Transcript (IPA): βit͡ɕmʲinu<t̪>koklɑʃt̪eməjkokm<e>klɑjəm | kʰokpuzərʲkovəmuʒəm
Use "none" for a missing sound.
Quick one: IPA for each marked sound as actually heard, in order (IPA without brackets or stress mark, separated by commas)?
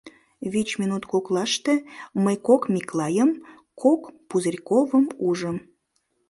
t̪, i